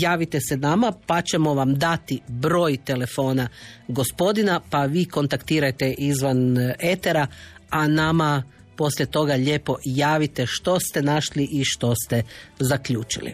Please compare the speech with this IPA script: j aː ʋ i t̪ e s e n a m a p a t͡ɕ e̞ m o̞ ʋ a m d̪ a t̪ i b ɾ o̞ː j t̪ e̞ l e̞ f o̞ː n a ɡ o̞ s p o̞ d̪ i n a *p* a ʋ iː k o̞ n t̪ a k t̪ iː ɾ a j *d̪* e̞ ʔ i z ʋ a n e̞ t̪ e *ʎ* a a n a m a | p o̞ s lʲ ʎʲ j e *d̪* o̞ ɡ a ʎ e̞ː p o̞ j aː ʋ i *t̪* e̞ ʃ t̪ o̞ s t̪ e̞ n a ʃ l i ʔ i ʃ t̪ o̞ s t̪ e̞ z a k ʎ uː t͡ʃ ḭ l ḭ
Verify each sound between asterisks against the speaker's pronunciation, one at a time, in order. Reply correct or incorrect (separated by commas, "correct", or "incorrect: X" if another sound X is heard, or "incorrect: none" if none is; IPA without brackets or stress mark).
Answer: correct, incorrect: t̪, incorrect: ɾ, incorrect: t̪, correct